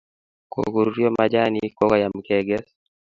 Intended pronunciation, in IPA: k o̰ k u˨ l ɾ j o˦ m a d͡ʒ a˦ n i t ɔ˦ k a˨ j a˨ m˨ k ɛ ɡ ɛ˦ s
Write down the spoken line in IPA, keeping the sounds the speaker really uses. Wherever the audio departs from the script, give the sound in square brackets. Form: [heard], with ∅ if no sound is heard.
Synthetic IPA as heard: k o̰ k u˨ [ɾ] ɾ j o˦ m a d͡ʒ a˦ n i [k] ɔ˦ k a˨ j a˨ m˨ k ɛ ɡ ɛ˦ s